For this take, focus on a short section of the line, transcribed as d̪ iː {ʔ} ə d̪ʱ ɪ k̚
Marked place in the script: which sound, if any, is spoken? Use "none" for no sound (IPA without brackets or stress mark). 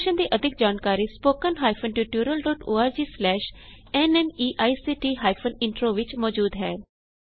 ʔ